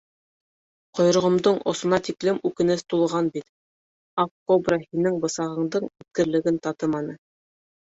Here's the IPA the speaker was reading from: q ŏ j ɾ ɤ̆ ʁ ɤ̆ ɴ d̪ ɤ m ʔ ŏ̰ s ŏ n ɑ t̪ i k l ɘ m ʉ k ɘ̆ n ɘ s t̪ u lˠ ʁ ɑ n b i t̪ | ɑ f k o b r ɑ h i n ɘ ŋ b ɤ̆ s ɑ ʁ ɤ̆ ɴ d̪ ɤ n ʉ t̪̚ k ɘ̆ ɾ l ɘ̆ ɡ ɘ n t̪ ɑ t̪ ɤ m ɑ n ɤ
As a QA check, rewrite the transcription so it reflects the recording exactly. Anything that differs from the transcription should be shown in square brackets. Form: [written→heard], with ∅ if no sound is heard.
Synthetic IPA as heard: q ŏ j ɾ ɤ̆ ʁ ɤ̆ [ɴ→m] d̪ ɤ [m→ɴ] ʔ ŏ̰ s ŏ n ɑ t̪ i k l ɘ m ʉ k ɘ̆ n ɘ s t̪ u lˠ ʁ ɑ n b i t̪ | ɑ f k o b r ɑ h i n ɘ ŋ b ɤ̆ s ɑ ʁ ɤ̆ ɴ d̪ ɤ [n→ɴ] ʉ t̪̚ k ɘ̆ ɾ l ɘ̆ ɡ ɘ n t̪ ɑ t̪ ɤ m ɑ n ɤ

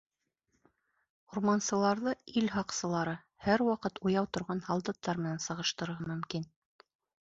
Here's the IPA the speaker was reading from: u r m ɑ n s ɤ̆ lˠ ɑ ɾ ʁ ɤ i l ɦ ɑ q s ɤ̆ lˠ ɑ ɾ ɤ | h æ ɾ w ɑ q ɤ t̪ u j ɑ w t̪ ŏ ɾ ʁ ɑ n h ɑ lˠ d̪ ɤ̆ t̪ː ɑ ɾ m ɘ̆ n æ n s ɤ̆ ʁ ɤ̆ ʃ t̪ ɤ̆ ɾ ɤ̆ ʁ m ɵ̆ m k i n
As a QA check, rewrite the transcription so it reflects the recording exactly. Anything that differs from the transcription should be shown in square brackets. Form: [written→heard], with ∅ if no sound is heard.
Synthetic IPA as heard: u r m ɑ n s ɤ̆ lˠ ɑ ɾ [ʁ→ð] ɤ i l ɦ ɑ q s ɤ̆ lˠ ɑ ɾ ɤ | h æ ɾ w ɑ q ɤ t̪ u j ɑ w t̪ ŏ ɾ ʁ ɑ n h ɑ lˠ d̪ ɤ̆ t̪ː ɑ ɾ m ɘ̆ n æ n s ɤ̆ ʁ ɤ̆ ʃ t̪ ɤ̆ ɾ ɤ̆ ʁ m ɵ̆ m k i n

